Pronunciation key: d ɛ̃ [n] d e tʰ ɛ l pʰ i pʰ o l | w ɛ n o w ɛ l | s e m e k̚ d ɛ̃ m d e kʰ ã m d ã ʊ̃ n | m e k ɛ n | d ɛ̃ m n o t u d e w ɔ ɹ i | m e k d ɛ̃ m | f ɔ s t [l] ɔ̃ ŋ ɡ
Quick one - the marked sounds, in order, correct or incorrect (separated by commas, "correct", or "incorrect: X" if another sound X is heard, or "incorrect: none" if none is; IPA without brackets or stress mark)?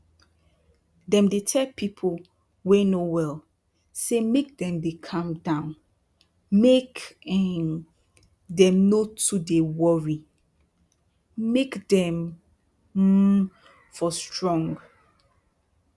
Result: incorrect: m, incorrect: ɹ